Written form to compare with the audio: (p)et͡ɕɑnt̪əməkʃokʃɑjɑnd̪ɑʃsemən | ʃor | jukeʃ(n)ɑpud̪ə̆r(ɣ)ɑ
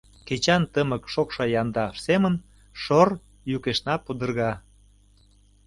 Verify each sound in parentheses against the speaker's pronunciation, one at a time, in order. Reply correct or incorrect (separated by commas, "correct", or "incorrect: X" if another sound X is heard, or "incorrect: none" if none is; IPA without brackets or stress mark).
incorrect: k, correct, correct